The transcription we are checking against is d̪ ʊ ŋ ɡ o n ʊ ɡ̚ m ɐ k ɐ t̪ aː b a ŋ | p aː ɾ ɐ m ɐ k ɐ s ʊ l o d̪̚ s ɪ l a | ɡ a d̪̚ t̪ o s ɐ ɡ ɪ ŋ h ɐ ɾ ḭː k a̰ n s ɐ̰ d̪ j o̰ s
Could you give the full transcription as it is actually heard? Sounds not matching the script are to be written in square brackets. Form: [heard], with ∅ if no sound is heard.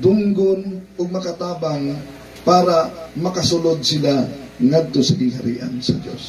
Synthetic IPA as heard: d̪ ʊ ŋ ɡ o n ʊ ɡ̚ m ɐ k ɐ t̪ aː b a ŋ | p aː ɾ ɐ m ɐ k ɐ s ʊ l o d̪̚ s ɪ l a | [ŋ] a d̪̚ t̪ o s ɐ ɡ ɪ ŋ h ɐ ɾ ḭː [ʔ] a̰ n s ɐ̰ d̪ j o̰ s